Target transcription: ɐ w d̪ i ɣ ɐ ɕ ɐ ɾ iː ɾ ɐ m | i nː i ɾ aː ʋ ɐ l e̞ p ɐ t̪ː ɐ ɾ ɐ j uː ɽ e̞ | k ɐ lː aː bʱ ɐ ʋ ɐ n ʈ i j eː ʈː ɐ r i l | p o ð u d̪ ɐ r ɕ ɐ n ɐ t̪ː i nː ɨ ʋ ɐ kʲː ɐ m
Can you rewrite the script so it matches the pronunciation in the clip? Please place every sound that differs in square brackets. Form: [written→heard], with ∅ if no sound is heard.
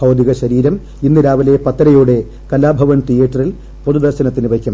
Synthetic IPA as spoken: ɐ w d̪ i ɣ ɐ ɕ ɐ ɾ iː ɾ ɐ m | i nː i ɾ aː ʋ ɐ l e̞ p ɐ t̪ː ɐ ɾ ɐ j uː ɽ e̞ | k ɐ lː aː bʱ ɐ ʋ ɐ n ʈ i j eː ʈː ɐ r i l | p o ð u d̪ ɐ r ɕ ɐ n ɐ t̪ː i [nː→n] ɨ ʋ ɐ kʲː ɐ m